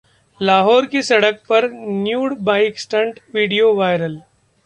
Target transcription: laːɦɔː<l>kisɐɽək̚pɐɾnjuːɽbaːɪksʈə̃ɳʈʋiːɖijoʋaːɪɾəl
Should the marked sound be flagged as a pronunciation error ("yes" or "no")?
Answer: yes